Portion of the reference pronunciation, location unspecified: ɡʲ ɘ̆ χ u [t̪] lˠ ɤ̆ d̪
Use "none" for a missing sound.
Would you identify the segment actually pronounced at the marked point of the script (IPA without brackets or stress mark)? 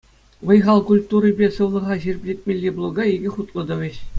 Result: t̪